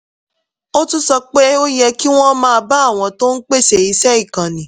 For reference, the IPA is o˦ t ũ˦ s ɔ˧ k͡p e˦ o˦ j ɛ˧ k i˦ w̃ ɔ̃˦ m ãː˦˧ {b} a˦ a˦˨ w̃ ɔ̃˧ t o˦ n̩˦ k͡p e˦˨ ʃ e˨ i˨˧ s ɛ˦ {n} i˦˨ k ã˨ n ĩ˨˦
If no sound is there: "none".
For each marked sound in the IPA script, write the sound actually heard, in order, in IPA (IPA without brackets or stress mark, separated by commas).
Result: b, none